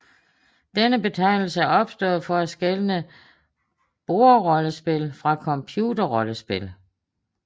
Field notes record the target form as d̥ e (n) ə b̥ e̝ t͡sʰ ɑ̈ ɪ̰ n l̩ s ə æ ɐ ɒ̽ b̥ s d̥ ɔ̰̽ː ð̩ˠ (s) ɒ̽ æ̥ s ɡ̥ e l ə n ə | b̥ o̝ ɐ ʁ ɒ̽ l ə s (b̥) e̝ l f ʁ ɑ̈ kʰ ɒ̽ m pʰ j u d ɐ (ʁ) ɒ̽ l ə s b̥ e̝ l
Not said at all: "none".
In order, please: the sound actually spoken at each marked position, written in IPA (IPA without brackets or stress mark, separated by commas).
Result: n, f, b̥, ʁ